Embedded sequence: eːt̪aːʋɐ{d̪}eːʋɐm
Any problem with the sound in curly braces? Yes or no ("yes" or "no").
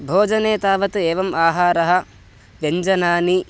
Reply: yes